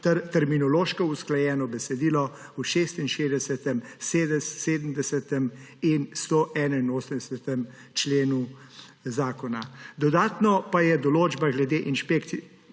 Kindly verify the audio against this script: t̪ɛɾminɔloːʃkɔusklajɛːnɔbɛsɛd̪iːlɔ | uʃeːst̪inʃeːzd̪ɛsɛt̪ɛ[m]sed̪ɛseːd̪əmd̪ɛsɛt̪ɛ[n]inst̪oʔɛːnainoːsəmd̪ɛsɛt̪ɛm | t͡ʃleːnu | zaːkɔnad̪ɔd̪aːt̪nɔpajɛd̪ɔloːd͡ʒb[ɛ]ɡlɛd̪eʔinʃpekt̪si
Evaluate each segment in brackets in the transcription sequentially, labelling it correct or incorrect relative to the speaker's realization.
correct, incorrect, incorrect

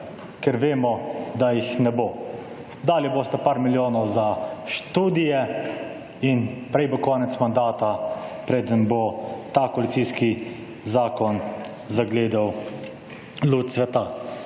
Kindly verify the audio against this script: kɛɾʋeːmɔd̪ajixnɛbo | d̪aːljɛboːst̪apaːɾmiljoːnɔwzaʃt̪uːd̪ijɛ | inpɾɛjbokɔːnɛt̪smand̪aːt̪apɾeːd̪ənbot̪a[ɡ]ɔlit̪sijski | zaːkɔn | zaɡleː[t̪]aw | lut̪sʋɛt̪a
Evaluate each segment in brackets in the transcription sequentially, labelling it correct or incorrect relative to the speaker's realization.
incorrect, incorrect

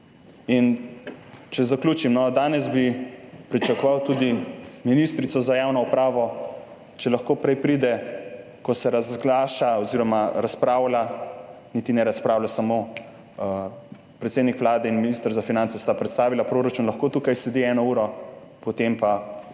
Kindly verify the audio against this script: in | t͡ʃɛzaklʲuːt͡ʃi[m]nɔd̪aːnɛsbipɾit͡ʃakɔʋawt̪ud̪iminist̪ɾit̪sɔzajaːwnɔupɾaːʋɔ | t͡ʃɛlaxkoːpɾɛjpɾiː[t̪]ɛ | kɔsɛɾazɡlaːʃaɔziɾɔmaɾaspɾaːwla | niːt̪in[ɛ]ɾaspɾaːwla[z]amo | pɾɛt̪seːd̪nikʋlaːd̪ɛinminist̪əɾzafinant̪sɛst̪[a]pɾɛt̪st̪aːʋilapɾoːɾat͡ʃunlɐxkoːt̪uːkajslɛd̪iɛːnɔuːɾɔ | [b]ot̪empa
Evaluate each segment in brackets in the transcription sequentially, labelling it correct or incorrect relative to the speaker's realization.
correct, incorrect, correct, incorrect, correct, incorrect

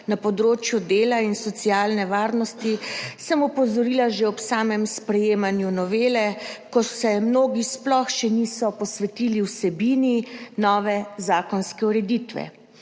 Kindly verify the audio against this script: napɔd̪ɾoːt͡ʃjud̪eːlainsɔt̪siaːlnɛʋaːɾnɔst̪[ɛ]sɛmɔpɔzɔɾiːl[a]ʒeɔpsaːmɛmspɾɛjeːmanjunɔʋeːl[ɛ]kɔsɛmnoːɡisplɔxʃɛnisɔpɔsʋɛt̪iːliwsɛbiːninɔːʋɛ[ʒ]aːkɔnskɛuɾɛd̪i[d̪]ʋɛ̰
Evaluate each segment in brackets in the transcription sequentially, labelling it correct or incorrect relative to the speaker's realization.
incorrect, correct, correct, incorrect, incorrect

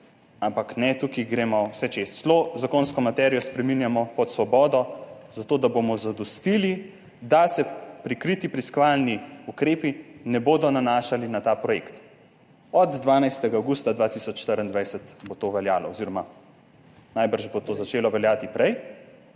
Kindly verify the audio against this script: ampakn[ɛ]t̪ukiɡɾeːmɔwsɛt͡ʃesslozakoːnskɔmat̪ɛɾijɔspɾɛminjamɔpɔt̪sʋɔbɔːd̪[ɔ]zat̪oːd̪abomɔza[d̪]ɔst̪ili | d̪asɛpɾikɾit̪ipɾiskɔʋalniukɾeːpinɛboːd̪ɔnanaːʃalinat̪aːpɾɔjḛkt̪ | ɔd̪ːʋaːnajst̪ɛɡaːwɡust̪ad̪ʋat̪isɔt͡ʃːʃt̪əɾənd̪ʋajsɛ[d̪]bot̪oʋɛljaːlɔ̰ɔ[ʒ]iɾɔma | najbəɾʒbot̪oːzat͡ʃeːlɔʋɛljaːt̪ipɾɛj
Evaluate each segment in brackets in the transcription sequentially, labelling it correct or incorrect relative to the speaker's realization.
correct, correct, correct, incorrect, incorrect

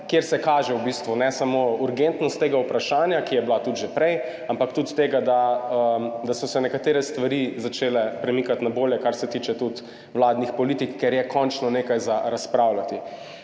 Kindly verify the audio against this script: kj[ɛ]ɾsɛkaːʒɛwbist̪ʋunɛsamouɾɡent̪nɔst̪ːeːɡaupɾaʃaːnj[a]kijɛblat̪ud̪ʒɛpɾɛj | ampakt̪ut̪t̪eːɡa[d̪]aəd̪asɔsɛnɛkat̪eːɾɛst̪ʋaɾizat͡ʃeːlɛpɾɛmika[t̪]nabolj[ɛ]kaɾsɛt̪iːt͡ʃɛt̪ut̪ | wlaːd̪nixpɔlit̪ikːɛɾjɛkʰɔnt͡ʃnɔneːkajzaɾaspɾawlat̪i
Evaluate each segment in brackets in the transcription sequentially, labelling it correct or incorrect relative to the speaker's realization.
incorrect, correct, correct, correct, correct

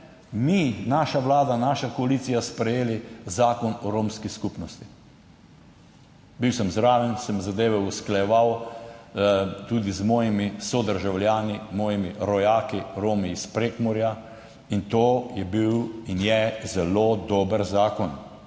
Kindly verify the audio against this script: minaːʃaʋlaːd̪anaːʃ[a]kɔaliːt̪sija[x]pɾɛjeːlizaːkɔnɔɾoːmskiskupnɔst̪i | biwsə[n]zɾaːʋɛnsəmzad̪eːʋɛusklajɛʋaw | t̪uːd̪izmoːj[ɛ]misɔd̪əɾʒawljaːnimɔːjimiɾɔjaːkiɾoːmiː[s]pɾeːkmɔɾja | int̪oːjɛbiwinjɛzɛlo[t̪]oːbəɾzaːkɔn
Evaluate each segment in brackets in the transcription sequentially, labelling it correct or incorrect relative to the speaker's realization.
correct, incorrect, incorrect, incorrect, correct, incorrect

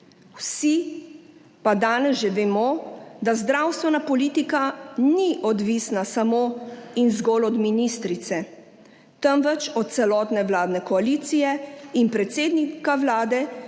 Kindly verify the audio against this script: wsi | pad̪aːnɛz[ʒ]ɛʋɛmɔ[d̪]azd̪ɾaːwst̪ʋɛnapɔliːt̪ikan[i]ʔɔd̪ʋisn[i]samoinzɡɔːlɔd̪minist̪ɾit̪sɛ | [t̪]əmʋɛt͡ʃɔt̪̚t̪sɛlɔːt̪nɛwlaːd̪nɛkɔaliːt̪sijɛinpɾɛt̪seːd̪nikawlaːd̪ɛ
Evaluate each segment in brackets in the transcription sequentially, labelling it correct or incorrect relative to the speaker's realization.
correct, correct, correct, incorrect, correct

